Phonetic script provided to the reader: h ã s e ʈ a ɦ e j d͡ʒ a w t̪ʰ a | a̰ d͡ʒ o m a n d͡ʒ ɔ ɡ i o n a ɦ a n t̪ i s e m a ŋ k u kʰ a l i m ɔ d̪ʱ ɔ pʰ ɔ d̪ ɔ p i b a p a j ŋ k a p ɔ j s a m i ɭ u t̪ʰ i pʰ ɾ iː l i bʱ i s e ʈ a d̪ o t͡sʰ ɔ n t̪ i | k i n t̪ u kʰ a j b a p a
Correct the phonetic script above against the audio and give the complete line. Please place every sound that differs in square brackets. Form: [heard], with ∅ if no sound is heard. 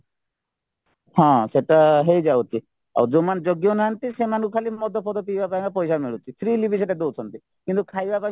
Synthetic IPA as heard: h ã s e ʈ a ɦ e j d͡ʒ a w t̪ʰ [i] | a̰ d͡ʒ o m a n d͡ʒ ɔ ɡ [j] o n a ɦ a n t̪ i s e m a [n] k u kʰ a l i m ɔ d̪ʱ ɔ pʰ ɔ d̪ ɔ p i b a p a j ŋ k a p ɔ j s a m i ɭ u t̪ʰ i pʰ ɾ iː l i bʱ i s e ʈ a d̪ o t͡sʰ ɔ n t̪ i | k i n t̪ u kʰ a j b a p a